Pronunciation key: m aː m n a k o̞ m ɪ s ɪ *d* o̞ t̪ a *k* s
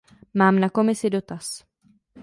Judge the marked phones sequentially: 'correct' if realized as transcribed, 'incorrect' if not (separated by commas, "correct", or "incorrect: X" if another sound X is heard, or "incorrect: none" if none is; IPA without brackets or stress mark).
correct, incorrect: none